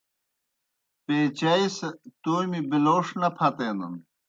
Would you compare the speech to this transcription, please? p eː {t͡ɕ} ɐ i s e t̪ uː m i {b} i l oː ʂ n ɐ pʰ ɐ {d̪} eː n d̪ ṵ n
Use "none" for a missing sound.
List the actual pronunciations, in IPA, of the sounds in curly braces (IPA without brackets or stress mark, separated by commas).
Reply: t͡ɕ, b, t̪